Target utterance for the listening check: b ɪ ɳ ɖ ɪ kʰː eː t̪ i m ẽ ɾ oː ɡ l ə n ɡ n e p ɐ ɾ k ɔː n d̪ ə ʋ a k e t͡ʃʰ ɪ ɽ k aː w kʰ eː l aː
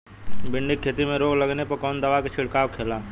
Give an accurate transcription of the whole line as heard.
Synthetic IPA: b ɪ ɳ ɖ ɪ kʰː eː t̪ i m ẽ ɾ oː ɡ l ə ɡ n e p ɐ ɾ k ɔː n d̪ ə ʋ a k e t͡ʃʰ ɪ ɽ k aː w kʰ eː l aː